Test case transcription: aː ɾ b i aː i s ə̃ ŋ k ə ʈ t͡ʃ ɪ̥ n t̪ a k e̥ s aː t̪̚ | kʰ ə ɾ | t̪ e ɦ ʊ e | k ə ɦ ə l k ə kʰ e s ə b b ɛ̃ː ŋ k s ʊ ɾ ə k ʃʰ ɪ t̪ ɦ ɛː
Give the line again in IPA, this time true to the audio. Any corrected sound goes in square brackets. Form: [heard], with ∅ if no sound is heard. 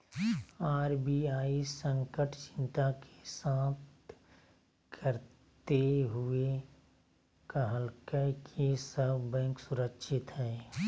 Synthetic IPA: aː ɾ b i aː i s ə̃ ŋ k ə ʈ t͡ʃ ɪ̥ n t̪ a k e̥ s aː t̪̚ | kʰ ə ɾ | t̪ e ɦ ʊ e | k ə ɦ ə l k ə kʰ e s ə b b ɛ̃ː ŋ k s ʊ ɾ ə k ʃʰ ɪ t̪ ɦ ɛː